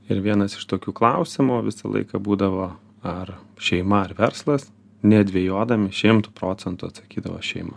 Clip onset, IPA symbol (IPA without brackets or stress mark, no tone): ɪ